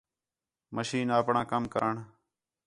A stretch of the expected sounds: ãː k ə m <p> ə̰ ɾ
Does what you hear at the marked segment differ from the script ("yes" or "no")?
yes